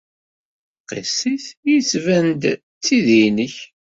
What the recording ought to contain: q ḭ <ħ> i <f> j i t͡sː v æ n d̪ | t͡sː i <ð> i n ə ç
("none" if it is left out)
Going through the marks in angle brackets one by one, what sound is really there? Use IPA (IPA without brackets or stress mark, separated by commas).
s, θ, ð